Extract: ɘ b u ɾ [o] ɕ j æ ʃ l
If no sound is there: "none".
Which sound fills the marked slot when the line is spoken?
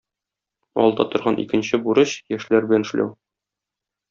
ɤ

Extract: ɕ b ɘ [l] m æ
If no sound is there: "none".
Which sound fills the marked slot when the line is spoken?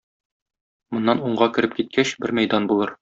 ɾ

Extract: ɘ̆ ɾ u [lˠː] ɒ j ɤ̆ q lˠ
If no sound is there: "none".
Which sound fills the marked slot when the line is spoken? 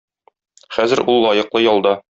lˠː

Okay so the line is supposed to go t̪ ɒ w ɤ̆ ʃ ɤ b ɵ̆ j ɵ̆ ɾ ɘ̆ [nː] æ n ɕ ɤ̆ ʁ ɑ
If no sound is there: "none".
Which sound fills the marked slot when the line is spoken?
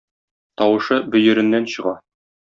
nː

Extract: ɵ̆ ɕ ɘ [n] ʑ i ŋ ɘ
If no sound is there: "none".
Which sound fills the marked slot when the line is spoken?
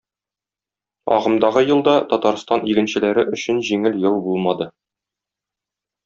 n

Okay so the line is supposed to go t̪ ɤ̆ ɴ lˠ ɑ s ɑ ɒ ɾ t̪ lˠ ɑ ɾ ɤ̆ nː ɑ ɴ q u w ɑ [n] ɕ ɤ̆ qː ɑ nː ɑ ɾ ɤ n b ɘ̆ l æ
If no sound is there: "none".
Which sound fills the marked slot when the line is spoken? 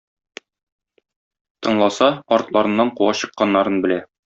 none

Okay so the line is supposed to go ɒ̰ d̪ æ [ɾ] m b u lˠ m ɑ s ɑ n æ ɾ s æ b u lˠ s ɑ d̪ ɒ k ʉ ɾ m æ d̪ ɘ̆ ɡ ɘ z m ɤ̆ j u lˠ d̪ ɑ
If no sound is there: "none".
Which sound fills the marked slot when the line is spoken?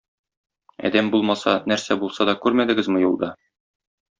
none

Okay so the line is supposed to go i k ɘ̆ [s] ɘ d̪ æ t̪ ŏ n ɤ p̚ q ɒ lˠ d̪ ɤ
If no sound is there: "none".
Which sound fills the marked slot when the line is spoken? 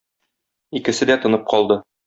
s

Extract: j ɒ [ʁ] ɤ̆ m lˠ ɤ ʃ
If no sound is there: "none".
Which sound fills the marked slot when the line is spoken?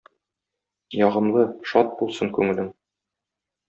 ʁ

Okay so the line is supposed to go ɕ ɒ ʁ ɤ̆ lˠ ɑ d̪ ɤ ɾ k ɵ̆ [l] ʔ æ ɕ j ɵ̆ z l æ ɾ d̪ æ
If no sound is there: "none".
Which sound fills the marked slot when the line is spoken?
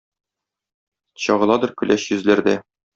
l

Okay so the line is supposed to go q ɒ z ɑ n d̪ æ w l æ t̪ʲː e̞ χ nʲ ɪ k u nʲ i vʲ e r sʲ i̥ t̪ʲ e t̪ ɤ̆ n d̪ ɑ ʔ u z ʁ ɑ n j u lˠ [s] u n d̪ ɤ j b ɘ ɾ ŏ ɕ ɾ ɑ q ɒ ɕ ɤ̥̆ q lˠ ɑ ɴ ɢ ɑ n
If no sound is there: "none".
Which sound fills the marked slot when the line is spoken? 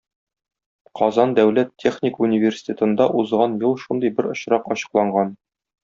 ʃ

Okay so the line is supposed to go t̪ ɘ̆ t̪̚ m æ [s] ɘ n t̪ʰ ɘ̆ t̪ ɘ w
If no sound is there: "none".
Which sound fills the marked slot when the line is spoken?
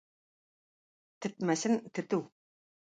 s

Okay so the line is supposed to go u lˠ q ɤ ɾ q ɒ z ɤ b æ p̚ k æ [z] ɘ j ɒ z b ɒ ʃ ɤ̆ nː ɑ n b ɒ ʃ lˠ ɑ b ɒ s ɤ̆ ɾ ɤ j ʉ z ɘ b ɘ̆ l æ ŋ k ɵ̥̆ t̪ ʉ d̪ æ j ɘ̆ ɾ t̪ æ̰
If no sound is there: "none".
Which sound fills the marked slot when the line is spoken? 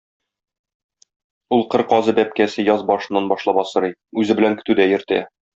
s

